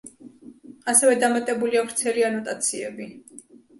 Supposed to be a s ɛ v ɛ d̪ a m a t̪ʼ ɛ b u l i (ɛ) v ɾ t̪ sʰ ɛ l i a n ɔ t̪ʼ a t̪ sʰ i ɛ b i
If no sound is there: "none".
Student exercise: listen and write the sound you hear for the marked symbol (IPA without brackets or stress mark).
a